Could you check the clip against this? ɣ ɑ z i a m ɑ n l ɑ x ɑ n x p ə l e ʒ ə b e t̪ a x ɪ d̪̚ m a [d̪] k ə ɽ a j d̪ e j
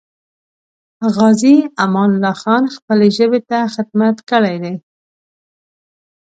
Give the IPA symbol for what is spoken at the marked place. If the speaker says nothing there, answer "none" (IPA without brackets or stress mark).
t̪